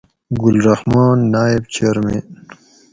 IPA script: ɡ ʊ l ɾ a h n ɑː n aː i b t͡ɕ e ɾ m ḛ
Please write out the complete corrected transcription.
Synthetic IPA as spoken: ɡ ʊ l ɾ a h m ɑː nː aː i b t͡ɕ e ɾ m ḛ